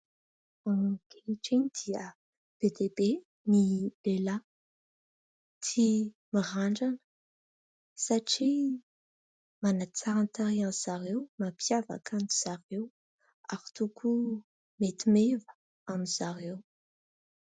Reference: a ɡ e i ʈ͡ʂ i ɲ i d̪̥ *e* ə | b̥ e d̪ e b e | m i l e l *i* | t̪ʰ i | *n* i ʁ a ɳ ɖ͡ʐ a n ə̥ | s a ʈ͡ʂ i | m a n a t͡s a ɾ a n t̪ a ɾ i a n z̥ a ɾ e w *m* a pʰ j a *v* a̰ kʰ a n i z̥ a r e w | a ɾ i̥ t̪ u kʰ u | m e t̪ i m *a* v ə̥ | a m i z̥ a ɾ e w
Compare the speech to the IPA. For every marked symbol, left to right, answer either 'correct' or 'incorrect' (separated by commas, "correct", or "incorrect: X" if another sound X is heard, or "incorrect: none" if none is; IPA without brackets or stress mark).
incorrect: i, incorrect: a, incorrect: m, correct, correct, incorrect: e